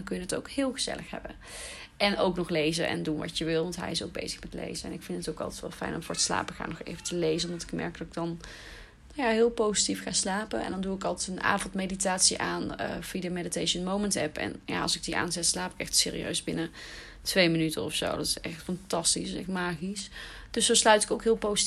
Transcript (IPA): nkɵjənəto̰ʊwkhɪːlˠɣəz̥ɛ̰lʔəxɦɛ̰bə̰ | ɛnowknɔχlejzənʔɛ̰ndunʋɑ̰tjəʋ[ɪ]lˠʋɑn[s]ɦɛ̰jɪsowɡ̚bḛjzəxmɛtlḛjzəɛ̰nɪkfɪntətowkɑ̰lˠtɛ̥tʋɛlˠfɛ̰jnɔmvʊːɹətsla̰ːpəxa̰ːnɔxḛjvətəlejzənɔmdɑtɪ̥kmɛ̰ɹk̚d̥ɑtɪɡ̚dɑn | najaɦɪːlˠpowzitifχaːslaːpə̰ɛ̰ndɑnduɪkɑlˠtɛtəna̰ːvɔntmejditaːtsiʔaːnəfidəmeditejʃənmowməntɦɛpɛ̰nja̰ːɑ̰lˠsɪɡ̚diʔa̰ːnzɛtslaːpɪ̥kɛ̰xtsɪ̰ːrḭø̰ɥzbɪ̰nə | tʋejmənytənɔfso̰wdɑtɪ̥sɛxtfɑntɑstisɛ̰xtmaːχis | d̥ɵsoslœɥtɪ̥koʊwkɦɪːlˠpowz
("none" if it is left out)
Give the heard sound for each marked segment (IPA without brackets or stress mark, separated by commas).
ɪ, t